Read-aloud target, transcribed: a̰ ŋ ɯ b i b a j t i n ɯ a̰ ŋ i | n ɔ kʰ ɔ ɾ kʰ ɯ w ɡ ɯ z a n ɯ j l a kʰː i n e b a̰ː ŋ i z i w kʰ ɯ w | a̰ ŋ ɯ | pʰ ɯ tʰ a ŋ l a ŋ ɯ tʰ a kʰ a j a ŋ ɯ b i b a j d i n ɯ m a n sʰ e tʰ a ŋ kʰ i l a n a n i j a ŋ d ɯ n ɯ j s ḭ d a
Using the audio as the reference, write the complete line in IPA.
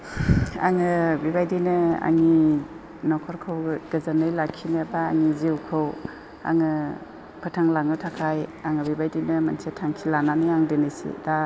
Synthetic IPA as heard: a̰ ŋ ɯ b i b a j d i n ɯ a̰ ŋ i | n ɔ kʰ ɔ ɾ kʰ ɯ w ɡ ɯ z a n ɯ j l a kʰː i n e b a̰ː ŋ i z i w kʰ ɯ w | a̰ ŋ ɯ | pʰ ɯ tʰ a ŋ l a ŋ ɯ tʰ a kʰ a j a ŋ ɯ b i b a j d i n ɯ m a n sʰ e tʰ a ŋ kʰ i l a n a n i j a ŋ d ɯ n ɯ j s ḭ d a